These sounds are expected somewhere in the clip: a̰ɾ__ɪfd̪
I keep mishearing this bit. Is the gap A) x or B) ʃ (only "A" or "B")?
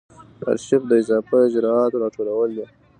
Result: B